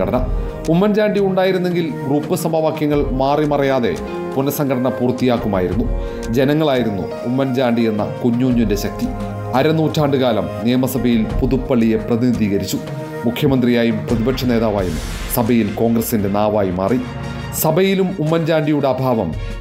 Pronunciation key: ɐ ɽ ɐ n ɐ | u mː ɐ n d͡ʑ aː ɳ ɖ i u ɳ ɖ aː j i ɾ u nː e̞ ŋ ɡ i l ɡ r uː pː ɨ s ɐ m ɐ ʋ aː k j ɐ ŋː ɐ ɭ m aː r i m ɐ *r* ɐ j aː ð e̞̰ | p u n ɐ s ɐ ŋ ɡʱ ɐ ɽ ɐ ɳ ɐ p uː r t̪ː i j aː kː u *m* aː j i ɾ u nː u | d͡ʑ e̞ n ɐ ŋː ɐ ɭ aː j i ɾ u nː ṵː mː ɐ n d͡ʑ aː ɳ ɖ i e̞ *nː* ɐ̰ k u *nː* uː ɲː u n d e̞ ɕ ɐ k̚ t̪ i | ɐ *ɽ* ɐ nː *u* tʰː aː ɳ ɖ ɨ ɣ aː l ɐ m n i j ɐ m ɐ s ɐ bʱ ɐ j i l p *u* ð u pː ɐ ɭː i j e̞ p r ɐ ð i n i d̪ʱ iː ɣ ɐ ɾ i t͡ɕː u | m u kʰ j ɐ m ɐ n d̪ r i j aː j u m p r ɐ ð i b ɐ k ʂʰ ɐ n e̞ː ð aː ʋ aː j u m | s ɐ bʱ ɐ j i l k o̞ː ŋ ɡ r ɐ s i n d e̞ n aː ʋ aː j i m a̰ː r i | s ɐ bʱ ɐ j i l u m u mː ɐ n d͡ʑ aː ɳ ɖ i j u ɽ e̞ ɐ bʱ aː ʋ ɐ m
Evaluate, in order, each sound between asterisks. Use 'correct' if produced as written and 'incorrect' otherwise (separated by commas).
correct, correct, correct, incorrect, incorrect, incorrect, correct